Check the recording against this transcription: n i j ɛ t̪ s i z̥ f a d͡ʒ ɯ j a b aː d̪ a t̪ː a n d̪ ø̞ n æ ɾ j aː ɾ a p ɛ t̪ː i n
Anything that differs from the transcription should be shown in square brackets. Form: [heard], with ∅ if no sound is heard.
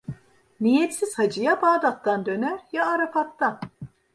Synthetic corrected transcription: n i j ɛ t̪ s i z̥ [h] a d͡ʒ ɯ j a b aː d̪ a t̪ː a n d̪ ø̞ n æ ɾ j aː ɾ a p [a] t̪ː [a] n